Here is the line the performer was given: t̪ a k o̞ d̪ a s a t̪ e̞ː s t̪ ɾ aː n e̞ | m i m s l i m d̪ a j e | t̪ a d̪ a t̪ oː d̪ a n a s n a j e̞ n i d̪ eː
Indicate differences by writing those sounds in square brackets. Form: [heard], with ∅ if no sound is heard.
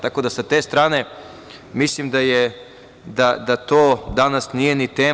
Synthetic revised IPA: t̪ a k o̞ d̪ a s a t̪ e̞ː s t̪ ɾ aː n e̞ | m i [∅] s l i m d̪ a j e | [d̪] a d̪ a t̪ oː d̪ a n a s n [i] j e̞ n i [t̪] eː